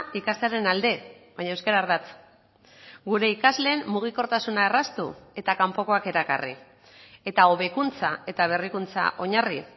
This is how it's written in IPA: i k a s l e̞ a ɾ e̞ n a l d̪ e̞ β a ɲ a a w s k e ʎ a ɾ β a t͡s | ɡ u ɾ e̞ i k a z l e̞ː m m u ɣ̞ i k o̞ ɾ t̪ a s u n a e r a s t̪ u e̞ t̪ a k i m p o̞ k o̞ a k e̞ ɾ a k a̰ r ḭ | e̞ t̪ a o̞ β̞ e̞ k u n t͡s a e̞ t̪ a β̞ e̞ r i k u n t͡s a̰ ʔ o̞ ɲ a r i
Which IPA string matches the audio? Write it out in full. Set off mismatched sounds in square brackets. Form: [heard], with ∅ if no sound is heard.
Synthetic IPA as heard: i k a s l e̞ a ɾ e̞ n a l d̪ e̞ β a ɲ a [e] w s k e [ɾ] a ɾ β a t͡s | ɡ u ɾ e̞ i k a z l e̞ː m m u ɣ̞ i k o̞ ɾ t̪ a s u n a e r a s t̪ u e̞ t̪ a k [a] m p o̞ k o̞ a k e̞ ɾ a k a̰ r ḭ | e̞ t̪ a o̞ β̞ e̞ k u n t͡s a e̞ t̪ a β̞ e̞ r i k u n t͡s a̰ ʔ o̞ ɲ a r i

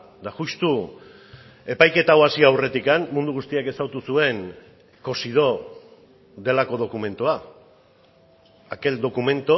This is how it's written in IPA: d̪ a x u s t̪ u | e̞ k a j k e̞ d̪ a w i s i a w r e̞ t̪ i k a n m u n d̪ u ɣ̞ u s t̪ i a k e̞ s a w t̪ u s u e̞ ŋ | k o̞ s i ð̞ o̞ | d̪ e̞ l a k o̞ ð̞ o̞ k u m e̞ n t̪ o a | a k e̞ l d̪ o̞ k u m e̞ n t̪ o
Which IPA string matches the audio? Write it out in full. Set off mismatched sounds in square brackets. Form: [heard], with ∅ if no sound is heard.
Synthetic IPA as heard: d̪ a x u s t̪ u | e̞ [p] a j k e̞ [t̪] a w [a] s i a w r e̞ t̪ i k a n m u n d̪ u ɣ̞ u s t̪ i a k e̞ s a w t̪ u s u e̞ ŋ | k o̞ s i ð̞ o̞ | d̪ e̞ l a k o̞ ð̞ o̞ k u m e̞ n t̪ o a | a k e̞ l d̪ o̞ k u m e̞ n t̪ o

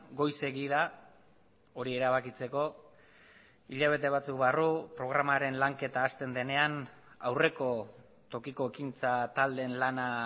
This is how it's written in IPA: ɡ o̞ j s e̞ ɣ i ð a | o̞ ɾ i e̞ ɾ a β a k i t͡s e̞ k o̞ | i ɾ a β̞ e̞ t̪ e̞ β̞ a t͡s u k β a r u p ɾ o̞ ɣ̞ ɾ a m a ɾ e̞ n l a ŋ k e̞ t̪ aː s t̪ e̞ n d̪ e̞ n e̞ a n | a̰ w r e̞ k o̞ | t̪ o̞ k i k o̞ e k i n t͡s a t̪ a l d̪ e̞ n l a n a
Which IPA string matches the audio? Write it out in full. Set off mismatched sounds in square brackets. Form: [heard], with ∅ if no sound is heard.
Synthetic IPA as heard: ɡ o̞ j s e̞ ɣ i ð a | o̞ ɾ i e̞ ɾ a β a k i t͡s e̞ k o̞ | i [ʎ] a β̞ e̞ t̪ e̞ β̞ a t͡s u k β a r u p ɾ o̞ ɣ̞ ɾ a m a ɾ e̞ n l a ŋ k e̞ t̪ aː s t̪ e̞ n d̪ e̞ n e̞ a n | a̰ w r e̞ k o̞ | t̪ o̞ k i k o̞ e k i n t͡s a t̪ a l d̪ e̞ n l a n a

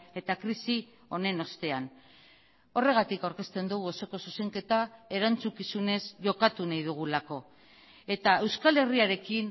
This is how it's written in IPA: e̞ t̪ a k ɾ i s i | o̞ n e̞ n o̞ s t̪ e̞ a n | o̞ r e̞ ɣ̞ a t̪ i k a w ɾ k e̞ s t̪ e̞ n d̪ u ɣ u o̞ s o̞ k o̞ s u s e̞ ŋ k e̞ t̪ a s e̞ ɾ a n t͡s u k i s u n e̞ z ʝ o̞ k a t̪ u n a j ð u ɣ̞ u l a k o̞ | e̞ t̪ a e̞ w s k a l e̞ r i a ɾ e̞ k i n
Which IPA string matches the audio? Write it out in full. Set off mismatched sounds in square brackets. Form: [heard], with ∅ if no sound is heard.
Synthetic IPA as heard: e̞ t̪ a k ɾ i s i | o̞ n e̞ n o̞ s t̪ e̞ a n | o̞ r e̞ ɣ̞ a t̪ i k a w ɾ k e̞ s t̪ e̞ n d̪ u ɣ u o̞ s o̞ k o̞ s u s e̞ ŋ k e̞ t̪ a [∅] e̞ ɾ a n t͡s u k i s u n e̞ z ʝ o̞ k a t̪ u n a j ð u ɣ̞ u l a k o̞ | e̞ t̪ a e̞ w s k a l e̞ r i a ɾ e̞ k i n

